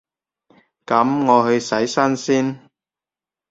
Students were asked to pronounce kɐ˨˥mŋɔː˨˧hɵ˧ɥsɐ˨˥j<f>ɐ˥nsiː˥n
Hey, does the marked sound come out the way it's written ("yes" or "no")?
no